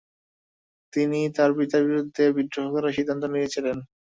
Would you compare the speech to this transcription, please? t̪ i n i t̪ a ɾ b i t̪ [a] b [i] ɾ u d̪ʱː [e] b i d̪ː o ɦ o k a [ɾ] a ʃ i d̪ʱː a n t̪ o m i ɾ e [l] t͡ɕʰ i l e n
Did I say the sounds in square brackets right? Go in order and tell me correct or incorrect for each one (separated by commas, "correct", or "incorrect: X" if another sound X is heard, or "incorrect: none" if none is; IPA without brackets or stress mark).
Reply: correct, correct, correct, correct, incorrect: none